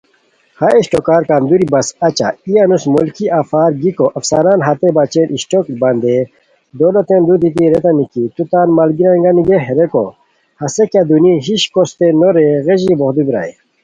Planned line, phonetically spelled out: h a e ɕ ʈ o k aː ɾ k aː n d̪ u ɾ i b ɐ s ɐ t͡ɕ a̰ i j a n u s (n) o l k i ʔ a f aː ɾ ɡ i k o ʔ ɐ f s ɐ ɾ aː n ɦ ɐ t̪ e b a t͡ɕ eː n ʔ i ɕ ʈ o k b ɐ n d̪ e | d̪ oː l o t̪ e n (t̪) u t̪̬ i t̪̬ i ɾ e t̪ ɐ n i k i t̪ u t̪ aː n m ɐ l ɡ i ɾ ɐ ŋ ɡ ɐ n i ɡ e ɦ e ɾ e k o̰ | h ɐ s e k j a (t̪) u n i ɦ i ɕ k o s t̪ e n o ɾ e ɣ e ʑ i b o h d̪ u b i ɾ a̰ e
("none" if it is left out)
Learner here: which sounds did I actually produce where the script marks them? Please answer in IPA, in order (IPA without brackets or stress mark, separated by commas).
m, d̪, d̪